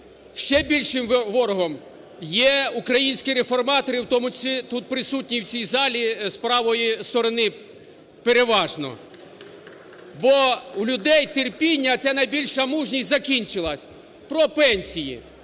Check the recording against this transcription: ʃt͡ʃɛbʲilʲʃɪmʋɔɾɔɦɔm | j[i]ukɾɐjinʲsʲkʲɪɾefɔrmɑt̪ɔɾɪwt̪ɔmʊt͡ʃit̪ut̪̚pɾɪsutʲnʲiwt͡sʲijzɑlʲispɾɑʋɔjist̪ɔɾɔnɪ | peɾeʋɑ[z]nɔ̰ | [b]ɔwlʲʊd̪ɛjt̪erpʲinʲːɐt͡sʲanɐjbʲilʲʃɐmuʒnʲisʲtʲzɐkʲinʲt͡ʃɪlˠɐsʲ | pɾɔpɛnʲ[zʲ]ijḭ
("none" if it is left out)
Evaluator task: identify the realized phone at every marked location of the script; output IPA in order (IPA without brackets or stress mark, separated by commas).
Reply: ɛ, ʒ, b, sʲ